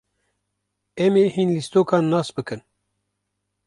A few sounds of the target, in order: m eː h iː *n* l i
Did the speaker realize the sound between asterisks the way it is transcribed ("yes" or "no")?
yes